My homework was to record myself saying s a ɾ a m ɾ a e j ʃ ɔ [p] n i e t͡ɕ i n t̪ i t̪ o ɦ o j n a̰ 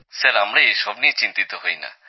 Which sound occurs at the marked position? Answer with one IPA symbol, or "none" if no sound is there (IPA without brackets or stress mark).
b